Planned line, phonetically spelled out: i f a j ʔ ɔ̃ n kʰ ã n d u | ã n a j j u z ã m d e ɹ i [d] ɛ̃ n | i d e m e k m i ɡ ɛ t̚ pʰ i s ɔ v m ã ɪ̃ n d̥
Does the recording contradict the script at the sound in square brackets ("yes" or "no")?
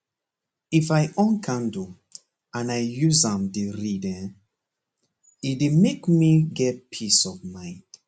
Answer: no